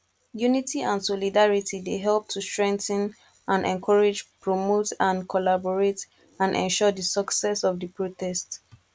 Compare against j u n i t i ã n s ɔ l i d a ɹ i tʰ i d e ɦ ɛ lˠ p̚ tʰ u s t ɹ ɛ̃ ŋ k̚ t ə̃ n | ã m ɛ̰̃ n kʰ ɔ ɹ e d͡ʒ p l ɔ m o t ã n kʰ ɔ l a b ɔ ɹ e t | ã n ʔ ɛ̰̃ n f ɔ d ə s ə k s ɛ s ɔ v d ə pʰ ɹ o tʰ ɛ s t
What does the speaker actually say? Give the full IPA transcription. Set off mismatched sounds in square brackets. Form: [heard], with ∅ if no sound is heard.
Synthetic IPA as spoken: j u n i t i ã n s ɔ l i d a ɹ i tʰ i d e ɦ ɛ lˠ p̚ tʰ u s t ɹ ɛ̃ ŋ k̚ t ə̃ n | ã [n] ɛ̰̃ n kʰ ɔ ɹ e d͡ʒ p [ɹ] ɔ m o t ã n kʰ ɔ l a b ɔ ɹ e t | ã n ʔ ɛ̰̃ n [ʃ] ɔ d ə s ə k s ɛ s ɔ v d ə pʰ ɹ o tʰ ɛ s t